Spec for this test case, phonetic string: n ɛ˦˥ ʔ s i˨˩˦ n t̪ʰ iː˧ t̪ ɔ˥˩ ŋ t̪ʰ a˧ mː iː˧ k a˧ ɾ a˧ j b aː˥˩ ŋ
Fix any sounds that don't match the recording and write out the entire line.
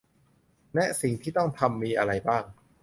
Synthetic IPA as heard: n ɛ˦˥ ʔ s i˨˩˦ ŋ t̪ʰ iː˥˩ t̪ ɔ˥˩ ŋ t̪ʰ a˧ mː iː˧ ʔ a˧ ɾ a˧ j b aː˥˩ ŋ